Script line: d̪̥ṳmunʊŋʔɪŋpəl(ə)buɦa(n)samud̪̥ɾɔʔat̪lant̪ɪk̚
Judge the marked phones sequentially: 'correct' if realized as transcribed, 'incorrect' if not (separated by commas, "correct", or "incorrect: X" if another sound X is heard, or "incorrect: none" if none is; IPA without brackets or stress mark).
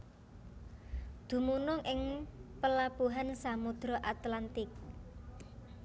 incorrect: a, correct